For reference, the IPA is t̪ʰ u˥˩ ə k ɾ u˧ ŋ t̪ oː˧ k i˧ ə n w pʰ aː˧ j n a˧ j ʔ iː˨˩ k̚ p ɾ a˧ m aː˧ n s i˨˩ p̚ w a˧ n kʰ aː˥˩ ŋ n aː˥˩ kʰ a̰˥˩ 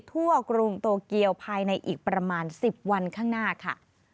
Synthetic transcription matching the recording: t̪ʰ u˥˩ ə k ɾ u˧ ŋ t̪ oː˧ k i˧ ə w pʰ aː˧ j n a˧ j ʔ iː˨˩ k̚ p ɾ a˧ m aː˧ n s i˨˩ p̚ w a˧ n kʰ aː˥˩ ŋ n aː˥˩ kʰ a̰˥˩